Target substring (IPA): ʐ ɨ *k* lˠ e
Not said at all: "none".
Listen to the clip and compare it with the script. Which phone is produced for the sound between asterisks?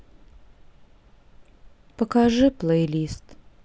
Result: p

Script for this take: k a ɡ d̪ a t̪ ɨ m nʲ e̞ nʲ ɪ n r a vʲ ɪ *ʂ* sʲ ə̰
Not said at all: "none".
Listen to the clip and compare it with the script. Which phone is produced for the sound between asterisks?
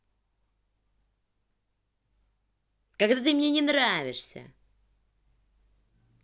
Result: ʂ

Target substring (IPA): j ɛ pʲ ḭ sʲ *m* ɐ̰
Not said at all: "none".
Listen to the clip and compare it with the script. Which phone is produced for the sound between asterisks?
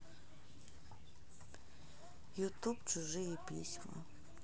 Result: m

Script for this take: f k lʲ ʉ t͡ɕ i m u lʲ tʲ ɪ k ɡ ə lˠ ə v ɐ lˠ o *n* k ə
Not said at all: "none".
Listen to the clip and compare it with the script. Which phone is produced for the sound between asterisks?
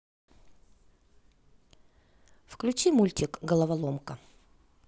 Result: m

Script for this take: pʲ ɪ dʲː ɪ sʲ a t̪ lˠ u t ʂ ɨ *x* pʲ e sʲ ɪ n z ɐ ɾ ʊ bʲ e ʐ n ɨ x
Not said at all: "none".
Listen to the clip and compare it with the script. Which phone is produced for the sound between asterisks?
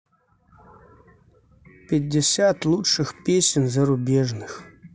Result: x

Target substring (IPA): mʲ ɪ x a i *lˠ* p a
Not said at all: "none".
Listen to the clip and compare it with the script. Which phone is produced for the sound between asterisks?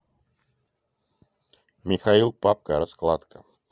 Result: lˠ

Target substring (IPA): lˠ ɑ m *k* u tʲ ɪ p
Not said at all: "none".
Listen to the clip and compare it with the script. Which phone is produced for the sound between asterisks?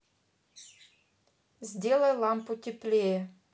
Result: p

